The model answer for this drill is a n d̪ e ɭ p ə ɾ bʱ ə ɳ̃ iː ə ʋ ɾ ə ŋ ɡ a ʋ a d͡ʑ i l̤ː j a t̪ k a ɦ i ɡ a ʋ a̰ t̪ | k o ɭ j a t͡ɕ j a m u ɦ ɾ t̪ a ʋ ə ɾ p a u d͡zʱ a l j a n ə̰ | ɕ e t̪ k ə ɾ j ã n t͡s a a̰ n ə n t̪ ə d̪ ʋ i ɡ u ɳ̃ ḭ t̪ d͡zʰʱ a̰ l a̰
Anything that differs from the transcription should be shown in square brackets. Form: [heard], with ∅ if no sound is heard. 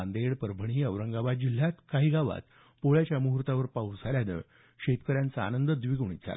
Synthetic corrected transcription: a n d̪ e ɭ p ə ɾ bʱ ə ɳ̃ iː ə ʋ ɾ ə ŋ ɡ a ʋ a d͡ʑ i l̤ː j a t̪ k a ɦ i ɡ a ʋ a̰ t̪ | [p] o ɭ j a t͡ɕ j a m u ɦ ɾ t̪ a ʋ ə ɾ p a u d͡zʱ a l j a n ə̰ | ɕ e t̪ k ə ɾ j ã n t͡s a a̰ n ə n [d̪] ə d̪ ʋ i ɡ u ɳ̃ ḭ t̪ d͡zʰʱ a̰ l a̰